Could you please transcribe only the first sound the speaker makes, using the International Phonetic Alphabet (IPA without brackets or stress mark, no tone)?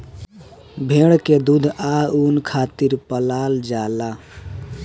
bʱ